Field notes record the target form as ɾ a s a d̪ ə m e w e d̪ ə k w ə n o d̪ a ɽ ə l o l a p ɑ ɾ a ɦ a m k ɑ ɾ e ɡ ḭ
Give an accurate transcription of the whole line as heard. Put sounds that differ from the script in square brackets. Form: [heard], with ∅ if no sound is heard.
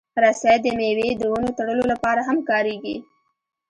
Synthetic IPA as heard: ɾ a s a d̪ ə m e w e d̪ ə [∅] w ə n o [t̪] a ɽ ə l o l a p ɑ ɾ a ɦ a m k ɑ ɾ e ɡ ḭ